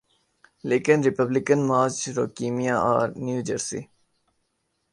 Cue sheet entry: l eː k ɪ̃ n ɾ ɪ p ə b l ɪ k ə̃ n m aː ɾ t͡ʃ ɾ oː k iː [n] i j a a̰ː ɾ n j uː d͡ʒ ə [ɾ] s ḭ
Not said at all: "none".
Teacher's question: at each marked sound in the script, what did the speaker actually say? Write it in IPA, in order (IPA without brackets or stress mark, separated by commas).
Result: m, ɾ